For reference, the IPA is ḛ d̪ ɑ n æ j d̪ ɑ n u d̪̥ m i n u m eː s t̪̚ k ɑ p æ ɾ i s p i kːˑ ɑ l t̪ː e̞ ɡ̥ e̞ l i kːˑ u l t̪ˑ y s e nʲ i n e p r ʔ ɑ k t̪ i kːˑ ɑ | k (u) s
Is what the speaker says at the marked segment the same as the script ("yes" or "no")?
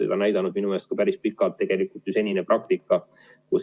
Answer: yes